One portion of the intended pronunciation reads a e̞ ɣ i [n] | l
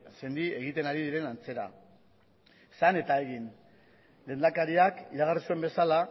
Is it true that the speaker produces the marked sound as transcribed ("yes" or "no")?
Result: yes